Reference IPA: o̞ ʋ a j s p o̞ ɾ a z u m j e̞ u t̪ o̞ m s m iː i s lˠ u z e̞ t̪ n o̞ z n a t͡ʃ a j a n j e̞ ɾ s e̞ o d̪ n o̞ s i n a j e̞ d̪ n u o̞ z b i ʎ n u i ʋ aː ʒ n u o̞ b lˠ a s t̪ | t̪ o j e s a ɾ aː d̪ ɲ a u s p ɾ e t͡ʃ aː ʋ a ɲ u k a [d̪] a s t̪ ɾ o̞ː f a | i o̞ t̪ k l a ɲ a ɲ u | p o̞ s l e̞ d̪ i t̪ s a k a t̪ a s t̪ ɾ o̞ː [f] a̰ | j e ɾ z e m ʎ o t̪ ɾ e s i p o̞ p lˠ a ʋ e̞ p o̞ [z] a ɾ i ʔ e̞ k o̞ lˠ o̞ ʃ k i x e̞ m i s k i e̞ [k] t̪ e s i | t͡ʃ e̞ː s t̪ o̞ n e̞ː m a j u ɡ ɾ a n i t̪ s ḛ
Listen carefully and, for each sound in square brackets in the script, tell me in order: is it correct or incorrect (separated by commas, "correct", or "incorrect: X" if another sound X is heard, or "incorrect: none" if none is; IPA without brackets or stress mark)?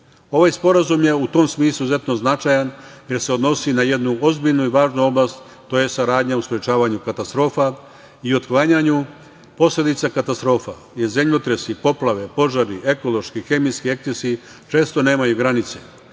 incorrect: t̪, correct, incorrect: ʒ, correct